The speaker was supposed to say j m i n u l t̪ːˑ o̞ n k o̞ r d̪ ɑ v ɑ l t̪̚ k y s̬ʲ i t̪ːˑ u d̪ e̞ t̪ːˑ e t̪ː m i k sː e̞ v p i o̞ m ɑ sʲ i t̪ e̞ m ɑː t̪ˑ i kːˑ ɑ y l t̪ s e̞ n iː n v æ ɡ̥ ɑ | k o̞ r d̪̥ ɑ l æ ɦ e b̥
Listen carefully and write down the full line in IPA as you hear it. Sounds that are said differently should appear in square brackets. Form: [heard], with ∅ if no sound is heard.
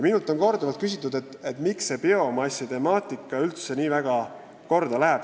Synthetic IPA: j m i n u l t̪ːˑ o̞ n k o̞ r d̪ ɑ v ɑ l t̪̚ k y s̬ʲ i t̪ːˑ u d̪ e̞ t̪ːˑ e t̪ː m i k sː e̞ [∅] p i o̞ m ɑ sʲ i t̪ e̞ m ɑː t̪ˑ i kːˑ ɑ y l t̪ s e̞ n iː [∅] v æ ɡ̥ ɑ | k o̞ r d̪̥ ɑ l æ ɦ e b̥